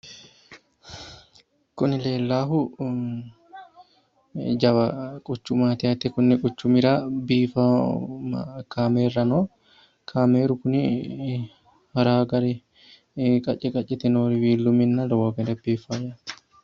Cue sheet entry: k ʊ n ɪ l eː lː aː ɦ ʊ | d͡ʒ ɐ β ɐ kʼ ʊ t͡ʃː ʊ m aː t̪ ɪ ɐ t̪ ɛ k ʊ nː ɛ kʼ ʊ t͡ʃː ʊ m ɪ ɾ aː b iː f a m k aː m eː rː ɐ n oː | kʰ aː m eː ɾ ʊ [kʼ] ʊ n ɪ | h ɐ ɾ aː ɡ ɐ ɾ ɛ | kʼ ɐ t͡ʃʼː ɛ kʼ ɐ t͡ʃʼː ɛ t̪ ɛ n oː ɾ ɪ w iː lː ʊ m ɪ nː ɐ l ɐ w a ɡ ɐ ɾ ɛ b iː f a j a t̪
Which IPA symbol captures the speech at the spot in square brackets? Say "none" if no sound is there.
k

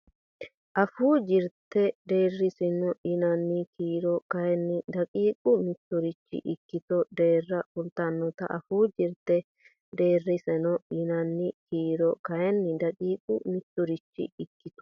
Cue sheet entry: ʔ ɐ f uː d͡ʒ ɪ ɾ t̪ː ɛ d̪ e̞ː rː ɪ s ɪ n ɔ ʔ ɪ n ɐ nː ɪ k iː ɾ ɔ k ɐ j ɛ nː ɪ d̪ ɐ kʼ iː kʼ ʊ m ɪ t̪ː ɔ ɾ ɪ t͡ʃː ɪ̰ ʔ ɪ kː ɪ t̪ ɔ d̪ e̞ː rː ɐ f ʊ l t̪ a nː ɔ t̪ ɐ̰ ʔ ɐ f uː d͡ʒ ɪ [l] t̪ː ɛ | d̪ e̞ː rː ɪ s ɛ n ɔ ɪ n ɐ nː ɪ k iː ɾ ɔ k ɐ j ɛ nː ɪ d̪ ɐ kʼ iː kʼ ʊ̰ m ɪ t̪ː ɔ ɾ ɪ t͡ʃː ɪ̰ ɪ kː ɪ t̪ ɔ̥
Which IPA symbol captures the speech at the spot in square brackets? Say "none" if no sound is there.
ɾ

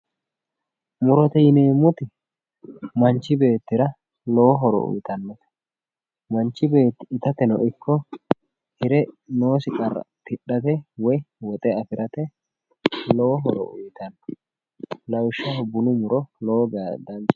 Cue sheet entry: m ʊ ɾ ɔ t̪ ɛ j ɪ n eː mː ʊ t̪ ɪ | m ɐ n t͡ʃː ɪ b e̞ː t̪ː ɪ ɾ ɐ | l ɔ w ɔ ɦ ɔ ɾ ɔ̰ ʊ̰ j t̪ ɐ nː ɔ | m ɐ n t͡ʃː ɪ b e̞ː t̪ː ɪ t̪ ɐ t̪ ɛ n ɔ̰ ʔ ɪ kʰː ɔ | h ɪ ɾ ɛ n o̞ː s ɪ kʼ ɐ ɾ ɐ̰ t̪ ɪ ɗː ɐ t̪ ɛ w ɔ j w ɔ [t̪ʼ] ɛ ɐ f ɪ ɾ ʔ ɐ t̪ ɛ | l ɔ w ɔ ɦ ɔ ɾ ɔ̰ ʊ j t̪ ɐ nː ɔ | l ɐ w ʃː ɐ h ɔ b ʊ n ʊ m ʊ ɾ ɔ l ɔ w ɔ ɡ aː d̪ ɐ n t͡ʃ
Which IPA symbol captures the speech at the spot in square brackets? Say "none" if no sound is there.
t̪ʼ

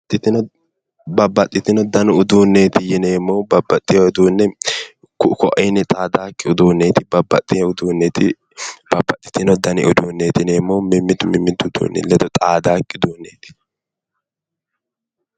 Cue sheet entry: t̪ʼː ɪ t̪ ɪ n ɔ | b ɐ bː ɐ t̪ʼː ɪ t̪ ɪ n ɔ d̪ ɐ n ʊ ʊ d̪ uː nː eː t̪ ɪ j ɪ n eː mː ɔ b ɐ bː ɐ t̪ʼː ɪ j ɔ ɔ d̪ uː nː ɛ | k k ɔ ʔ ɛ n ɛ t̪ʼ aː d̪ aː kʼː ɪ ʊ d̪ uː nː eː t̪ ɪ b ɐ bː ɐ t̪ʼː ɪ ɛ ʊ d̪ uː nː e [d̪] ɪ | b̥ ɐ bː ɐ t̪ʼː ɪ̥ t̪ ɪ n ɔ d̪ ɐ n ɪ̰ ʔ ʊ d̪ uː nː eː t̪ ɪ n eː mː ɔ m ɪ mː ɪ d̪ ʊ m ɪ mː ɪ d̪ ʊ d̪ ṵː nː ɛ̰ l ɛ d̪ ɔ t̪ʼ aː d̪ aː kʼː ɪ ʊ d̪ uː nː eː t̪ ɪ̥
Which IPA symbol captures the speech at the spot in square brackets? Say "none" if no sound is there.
t̪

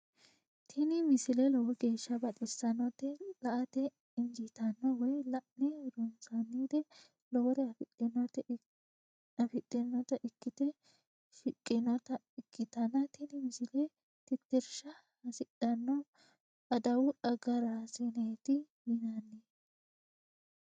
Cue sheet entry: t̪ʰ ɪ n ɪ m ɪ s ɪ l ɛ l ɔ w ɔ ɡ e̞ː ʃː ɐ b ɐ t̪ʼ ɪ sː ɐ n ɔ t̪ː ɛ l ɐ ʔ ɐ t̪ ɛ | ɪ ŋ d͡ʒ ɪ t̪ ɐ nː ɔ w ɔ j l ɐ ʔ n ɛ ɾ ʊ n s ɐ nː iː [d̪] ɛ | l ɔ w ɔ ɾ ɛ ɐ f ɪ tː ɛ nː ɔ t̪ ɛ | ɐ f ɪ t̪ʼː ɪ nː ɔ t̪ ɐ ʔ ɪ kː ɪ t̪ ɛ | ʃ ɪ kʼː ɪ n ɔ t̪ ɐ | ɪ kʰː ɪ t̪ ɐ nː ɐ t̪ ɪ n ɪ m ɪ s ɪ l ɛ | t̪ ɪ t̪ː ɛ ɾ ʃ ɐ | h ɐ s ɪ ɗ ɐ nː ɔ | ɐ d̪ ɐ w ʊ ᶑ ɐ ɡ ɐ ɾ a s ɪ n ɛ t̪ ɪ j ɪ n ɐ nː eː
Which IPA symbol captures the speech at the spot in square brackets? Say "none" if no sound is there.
d̪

